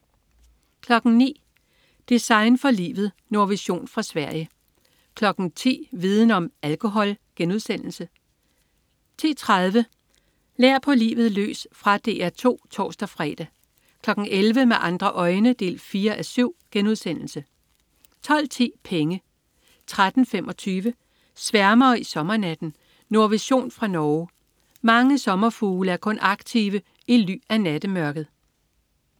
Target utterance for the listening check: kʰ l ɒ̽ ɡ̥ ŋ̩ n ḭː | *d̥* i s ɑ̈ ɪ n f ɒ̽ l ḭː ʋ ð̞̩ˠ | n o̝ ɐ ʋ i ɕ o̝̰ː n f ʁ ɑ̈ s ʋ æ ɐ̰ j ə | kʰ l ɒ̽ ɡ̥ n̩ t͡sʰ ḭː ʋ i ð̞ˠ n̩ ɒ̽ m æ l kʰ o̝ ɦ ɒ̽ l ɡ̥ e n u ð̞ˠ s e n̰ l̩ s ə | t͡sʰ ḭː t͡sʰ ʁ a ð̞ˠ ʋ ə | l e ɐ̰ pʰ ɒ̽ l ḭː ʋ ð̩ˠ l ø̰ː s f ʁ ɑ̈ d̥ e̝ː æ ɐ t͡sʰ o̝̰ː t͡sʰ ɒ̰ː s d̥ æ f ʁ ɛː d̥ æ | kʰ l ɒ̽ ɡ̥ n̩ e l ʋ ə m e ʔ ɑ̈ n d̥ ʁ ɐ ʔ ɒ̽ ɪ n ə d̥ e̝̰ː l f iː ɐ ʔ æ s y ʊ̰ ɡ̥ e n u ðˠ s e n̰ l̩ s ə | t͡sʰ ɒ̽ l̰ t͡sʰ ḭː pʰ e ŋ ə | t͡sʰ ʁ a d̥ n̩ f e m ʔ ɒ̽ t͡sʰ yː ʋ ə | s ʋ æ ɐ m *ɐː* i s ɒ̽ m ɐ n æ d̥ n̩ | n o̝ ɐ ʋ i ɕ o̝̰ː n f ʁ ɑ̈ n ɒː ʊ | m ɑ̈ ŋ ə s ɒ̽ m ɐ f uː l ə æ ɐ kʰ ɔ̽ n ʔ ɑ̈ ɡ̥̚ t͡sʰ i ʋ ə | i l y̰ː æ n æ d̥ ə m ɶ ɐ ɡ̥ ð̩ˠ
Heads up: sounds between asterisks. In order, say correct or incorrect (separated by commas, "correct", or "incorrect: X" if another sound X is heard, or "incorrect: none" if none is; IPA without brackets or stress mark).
correct, correct